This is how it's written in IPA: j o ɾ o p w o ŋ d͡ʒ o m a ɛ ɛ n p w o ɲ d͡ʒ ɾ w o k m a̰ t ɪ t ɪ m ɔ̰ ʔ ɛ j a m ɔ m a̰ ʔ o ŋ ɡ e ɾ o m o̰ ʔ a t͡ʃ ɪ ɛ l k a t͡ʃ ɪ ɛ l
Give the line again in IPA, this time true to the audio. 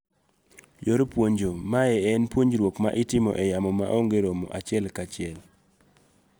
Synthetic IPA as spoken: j o ɾ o p w o ɲ d͡ʒ o m a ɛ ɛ n p w o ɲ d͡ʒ ɾ w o k m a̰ ʔ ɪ t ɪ m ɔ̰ ʔ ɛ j a m ɔ m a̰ ʔ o ŋ ɡ e ɾ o m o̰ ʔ a t͡ʃ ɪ ɛ l k a t͡ʃ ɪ ɛ l